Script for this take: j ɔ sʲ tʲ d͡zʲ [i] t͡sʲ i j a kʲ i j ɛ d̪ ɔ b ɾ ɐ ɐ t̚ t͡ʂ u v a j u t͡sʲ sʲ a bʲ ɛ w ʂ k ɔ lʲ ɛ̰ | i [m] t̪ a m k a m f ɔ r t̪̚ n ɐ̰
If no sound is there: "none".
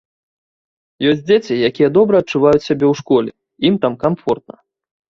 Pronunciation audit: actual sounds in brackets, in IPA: e, m

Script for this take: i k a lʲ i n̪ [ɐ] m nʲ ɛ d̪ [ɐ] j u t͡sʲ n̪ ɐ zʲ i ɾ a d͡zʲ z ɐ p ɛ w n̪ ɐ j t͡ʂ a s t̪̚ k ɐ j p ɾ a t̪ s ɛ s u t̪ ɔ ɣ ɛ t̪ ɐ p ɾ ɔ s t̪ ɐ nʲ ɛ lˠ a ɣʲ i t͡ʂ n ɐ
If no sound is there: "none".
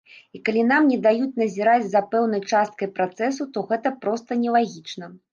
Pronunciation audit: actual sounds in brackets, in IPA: a, a

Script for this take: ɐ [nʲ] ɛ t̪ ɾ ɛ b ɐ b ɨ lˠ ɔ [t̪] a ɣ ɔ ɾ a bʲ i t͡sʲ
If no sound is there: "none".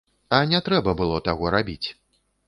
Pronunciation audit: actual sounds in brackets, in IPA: nʲ, t̪

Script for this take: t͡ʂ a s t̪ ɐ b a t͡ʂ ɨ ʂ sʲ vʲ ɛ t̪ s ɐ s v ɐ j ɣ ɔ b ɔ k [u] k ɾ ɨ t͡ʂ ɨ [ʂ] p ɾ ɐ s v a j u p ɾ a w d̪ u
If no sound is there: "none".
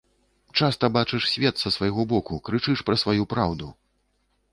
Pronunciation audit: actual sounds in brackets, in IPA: u, ʂ

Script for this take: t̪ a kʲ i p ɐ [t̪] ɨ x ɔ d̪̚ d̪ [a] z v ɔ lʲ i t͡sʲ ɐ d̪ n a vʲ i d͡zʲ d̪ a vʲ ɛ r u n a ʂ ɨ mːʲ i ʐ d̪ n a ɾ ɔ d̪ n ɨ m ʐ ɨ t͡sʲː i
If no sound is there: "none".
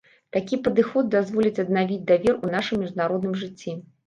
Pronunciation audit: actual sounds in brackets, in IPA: d̪, a

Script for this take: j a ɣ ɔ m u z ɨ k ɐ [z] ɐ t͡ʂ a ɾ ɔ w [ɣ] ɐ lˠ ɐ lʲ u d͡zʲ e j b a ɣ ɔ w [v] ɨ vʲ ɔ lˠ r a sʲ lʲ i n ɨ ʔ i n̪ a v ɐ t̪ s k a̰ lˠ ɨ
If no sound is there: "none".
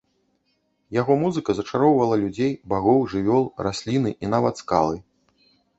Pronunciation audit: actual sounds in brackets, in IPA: z, v, ʐ

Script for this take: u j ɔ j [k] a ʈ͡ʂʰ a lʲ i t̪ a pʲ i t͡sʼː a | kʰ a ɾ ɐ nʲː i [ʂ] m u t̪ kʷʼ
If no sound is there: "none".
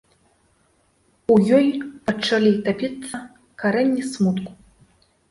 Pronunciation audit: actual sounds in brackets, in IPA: p, s

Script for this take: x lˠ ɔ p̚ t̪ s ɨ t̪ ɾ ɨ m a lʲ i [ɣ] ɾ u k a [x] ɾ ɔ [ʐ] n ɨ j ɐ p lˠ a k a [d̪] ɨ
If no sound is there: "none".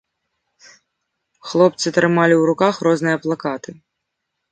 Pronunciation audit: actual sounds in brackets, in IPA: w, x, z, t̪

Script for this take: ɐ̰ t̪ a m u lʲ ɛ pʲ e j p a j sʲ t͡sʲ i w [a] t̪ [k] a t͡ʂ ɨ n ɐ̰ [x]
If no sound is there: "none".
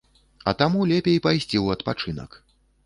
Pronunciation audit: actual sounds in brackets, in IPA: ɐ, p, k

